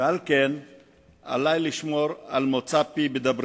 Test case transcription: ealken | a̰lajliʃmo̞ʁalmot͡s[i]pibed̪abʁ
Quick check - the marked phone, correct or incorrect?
incorrect